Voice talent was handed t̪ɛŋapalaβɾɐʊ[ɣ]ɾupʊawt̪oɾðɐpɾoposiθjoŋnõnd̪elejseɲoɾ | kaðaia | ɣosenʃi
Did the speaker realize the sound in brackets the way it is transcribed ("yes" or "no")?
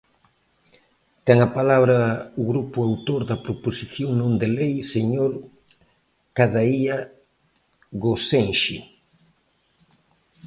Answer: yes